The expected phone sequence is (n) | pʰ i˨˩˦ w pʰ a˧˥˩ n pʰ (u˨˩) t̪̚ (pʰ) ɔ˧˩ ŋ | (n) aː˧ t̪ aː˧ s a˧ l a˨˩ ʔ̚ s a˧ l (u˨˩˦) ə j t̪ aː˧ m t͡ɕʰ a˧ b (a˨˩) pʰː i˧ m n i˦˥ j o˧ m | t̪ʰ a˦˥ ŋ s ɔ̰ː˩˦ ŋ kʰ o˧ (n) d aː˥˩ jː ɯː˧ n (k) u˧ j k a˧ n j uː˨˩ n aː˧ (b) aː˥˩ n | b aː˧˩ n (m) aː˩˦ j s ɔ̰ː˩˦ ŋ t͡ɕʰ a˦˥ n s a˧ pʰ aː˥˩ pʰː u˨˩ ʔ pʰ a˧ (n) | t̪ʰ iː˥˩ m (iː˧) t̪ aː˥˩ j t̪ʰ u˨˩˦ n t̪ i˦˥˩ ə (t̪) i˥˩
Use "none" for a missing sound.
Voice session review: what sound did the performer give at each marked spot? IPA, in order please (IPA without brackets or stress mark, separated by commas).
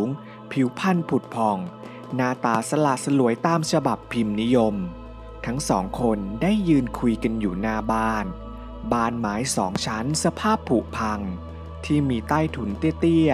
ŋ, u˨˩, pʰ, n, u˨˩˦, a˨˩, n, kʰ, b, m, ŋ, iː˧, t̪